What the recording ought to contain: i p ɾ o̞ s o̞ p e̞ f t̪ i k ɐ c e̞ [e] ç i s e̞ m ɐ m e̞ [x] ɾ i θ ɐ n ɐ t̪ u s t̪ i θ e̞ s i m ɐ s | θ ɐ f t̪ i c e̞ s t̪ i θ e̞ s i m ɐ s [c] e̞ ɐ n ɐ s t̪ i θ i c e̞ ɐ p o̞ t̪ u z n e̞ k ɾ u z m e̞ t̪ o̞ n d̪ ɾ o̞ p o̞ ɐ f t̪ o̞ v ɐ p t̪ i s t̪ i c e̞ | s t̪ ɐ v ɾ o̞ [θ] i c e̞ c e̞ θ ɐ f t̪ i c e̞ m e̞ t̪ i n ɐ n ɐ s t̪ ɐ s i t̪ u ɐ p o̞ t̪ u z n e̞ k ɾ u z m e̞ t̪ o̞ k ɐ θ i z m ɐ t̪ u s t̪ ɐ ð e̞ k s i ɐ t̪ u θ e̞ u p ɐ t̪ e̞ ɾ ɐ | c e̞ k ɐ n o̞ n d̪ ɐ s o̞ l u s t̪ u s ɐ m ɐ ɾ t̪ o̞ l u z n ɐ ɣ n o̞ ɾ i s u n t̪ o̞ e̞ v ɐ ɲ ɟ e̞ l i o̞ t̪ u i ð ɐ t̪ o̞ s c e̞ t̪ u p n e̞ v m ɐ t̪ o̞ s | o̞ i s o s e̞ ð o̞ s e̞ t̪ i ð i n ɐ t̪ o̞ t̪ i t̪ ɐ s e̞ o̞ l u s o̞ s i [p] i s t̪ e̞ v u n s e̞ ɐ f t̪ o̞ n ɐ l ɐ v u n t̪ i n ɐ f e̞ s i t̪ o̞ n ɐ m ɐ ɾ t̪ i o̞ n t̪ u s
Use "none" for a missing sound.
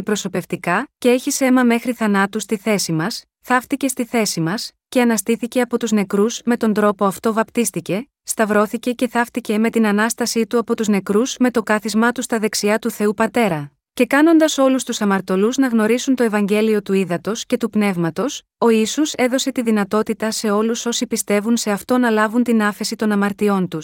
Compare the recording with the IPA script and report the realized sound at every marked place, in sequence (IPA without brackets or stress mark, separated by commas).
e, x, c, θ, p